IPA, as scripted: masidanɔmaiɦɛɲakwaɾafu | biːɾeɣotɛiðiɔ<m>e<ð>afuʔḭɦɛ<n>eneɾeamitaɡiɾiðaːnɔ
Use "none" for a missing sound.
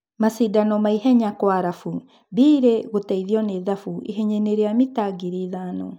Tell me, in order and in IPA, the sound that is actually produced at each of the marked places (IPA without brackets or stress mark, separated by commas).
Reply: n, ð, ɲ